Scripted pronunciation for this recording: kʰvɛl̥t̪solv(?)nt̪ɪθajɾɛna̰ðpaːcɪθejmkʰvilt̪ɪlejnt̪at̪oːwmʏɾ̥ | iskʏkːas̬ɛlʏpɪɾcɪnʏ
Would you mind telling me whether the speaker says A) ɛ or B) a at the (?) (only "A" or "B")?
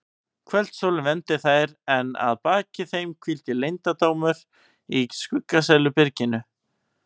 A